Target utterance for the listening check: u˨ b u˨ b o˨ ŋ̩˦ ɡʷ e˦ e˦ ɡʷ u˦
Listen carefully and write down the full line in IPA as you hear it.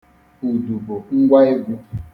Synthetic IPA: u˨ d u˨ b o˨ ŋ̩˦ ɡʷ a˦ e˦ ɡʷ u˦